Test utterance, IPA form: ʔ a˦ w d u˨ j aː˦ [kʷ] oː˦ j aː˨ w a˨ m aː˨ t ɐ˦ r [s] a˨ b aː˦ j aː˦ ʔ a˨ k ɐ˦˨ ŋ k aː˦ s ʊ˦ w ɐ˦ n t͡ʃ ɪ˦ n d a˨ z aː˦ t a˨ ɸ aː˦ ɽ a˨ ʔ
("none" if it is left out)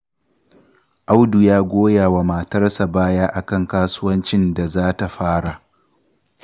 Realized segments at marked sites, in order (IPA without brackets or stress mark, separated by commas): ɡʷ, s